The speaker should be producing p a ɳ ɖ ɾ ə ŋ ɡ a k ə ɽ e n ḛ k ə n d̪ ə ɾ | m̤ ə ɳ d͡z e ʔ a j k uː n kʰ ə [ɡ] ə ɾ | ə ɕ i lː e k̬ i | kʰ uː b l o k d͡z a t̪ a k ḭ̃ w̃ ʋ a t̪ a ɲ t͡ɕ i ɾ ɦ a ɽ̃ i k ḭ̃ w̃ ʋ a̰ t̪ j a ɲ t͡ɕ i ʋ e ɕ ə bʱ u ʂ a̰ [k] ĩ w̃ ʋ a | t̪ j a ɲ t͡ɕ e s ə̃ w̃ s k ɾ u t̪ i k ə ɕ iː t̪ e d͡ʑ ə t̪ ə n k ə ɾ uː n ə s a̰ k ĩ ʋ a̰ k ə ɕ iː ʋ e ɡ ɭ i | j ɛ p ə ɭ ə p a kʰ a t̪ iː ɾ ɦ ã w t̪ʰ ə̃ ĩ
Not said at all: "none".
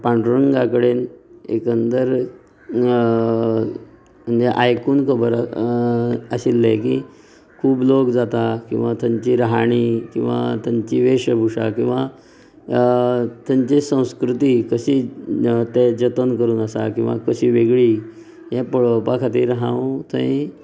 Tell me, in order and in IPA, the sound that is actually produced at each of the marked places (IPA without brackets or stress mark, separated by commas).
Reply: b, k